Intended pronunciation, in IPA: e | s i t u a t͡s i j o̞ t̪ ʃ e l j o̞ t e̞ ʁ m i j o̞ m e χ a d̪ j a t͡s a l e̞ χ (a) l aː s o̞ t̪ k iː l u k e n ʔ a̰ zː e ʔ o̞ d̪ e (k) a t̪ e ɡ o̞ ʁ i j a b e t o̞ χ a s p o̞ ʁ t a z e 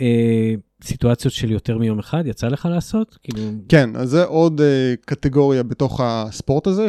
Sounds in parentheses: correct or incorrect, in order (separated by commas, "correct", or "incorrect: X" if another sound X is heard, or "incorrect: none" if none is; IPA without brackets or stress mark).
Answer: correct, correct